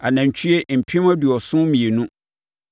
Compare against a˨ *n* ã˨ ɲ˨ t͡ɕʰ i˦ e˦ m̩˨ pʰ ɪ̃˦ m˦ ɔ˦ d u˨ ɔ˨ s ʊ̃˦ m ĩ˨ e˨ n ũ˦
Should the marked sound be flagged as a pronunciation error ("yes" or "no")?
no